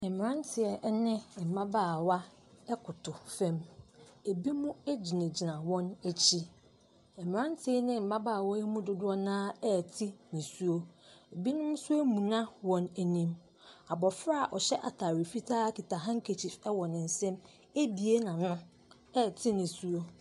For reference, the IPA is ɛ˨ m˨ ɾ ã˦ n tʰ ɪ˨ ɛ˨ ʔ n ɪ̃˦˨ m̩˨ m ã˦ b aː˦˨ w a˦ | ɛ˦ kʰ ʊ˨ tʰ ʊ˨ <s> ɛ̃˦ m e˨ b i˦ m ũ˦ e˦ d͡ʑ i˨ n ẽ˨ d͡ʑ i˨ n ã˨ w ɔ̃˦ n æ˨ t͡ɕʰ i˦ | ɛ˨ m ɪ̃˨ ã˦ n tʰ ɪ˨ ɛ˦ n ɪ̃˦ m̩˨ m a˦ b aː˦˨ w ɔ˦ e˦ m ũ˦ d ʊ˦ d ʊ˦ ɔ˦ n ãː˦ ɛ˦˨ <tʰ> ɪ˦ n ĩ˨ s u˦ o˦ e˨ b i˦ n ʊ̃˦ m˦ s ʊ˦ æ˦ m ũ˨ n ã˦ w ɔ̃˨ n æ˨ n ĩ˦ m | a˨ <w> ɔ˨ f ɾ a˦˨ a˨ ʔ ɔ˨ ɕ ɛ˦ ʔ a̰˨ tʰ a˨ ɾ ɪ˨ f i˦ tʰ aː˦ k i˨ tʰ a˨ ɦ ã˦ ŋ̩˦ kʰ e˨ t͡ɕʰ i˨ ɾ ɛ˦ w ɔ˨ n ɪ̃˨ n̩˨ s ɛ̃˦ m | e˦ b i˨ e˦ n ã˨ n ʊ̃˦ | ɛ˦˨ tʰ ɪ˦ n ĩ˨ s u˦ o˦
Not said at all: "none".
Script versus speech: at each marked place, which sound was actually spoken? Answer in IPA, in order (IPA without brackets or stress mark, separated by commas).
f, tʰ, b